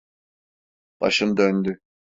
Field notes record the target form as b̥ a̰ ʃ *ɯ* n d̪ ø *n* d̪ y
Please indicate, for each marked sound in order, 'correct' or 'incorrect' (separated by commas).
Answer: correct, correct